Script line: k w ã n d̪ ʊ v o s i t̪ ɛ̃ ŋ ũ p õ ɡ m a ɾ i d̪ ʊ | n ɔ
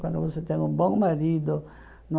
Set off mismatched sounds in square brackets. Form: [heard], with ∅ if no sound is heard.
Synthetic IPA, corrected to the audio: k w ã n d̪ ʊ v o s [e] t̪ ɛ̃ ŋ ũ [b] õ [ŋ] m a ɾ i d̪ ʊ | n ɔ